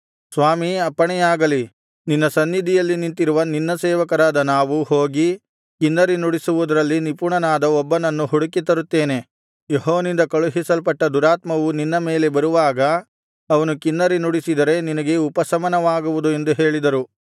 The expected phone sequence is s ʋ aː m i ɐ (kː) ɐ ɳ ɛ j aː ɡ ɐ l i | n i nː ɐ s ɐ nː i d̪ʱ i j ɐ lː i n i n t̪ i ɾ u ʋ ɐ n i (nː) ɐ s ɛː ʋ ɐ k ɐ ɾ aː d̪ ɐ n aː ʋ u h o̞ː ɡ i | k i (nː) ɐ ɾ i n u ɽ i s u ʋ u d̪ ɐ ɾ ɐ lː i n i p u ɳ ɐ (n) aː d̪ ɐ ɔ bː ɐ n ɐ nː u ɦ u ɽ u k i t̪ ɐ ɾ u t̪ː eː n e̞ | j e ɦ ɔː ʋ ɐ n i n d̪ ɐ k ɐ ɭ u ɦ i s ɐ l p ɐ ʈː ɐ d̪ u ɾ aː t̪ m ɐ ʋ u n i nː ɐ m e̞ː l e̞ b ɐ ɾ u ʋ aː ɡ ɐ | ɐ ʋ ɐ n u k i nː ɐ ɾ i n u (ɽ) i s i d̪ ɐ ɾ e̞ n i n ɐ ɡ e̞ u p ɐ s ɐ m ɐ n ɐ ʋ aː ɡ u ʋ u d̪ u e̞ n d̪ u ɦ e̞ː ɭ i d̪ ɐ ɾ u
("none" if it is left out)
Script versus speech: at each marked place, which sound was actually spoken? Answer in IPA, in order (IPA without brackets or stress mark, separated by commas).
pː, nː, nː, n, ɽ